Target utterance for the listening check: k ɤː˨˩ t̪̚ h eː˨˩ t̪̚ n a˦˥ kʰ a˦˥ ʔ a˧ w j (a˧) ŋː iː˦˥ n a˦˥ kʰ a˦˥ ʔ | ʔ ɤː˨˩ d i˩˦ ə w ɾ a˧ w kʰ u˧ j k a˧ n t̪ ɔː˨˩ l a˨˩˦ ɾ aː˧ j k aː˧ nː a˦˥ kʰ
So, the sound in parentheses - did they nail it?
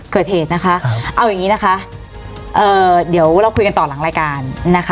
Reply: no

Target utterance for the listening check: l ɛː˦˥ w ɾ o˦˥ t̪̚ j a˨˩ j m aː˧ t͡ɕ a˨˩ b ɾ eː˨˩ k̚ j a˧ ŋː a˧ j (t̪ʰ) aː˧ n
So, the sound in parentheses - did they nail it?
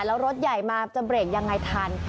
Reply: yes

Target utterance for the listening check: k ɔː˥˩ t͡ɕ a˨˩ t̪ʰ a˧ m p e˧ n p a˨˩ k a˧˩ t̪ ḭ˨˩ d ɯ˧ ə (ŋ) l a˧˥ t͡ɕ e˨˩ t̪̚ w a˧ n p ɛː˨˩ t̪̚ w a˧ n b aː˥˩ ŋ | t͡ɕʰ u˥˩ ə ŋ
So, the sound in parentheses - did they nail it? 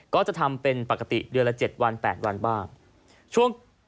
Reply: no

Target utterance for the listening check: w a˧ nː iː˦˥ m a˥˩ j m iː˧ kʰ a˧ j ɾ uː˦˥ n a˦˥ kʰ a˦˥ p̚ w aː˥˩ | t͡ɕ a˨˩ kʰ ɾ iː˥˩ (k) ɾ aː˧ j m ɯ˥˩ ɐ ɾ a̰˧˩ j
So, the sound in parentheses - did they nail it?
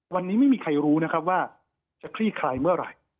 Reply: no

